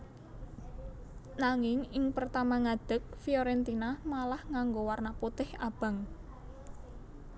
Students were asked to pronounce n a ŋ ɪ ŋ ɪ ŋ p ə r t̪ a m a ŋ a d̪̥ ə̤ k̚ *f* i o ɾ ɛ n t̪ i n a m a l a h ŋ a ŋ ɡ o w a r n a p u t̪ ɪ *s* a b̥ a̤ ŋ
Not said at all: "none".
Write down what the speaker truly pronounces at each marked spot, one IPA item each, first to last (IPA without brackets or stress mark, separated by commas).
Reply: f, h